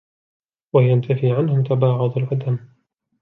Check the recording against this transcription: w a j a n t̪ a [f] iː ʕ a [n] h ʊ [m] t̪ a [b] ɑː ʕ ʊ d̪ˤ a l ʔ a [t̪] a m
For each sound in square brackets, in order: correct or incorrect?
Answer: correct, correct, correct, correct, incorrect: d̪

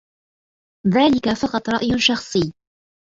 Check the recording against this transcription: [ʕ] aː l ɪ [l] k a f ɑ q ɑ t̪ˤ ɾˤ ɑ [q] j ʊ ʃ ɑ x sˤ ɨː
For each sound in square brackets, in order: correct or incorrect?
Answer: incorrect: ð, incorrect: none, incorrect: ʔ

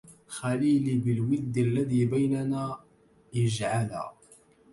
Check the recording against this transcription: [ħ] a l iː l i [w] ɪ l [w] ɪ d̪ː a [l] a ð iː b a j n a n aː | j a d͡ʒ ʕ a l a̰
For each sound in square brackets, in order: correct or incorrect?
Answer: incorrect: x, incorrect: b, correct, incorrect: lː

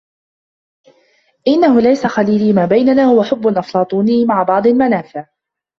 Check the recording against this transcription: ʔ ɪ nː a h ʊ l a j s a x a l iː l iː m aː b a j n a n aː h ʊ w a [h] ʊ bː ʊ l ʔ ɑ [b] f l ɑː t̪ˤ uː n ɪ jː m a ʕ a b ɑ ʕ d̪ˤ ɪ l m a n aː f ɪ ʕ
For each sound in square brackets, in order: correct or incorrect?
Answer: incorrect: ħ, incorrect: none

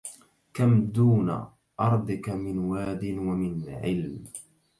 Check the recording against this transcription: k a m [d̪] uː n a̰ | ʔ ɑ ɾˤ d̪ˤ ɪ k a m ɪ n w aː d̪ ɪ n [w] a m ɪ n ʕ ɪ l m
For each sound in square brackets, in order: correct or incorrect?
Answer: correct, correct

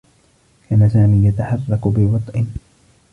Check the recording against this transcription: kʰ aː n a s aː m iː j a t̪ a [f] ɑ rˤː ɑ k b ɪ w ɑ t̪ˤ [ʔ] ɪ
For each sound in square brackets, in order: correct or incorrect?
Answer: incorrect: ħ, correct

